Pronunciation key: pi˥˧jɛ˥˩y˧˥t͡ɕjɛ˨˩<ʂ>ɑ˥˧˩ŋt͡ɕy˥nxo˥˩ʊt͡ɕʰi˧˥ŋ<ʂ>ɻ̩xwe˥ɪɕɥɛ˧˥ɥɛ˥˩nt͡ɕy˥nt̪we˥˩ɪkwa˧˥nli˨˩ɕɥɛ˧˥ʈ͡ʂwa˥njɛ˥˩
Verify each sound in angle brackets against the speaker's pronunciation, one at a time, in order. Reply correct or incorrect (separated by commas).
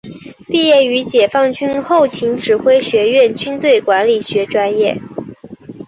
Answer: incorrect, incorrect